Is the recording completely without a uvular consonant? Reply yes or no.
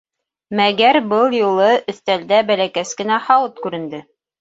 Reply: yes